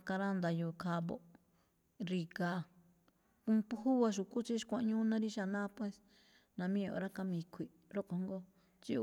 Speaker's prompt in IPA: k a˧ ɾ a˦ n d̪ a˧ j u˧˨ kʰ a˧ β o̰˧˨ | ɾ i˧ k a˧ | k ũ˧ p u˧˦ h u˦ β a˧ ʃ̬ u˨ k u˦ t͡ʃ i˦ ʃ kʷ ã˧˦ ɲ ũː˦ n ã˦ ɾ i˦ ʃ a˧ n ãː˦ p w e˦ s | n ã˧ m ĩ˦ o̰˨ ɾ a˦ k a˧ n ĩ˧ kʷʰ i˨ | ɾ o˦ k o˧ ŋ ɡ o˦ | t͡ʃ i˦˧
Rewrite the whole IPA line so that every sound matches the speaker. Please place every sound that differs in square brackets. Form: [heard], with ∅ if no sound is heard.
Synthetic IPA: k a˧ ɾ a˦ n d̪ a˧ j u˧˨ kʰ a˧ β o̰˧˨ | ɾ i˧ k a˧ | k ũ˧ p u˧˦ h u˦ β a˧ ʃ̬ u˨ k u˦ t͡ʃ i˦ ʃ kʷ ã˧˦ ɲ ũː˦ n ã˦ ɾ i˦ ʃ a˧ n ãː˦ p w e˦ s | n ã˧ m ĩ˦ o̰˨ ɾ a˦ k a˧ [m] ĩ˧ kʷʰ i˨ | ɾ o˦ k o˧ ŋ ɡ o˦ | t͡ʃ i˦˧